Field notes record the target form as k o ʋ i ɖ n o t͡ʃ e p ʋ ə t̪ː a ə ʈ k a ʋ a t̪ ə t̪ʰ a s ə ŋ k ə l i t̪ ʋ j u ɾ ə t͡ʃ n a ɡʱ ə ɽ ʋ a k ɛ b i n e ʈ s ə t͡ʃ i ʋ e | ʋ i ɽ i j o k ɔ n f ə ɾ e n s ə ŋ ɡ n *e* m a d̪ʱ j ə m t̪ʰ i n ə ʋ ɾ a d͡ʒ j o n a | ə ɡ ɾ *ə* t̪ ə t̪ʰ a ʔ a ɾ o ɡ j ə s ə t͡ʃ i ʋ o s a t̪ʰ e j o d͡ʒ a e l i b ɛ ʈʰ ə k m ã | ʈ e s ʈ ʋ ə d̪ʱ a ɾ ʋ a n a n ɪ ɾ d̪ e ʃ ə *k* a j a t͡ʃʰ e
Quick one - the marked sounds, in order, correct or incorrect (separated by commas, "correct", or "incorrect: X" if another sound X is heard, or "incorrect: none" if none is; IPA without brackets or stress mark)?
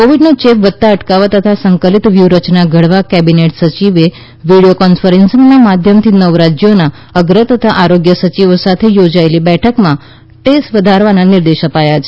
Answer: incorrect: a, correct, incorrect: p